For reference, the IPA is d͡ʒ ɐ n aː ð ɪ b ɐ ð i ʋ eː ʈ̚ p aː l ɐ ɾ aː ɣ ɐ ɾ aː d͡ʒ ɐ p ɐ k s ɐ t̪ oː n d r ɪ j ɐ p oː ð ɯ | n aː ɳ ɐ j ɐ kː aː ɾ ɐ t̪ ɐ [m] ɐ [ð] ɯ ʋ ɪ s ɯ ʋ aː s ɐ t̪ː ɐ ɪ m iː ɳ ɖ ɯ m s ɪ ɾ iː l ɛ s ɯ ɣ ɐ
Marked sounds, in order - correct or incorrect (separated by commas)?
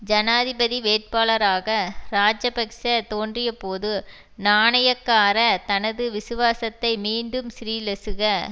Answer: incorrect, correct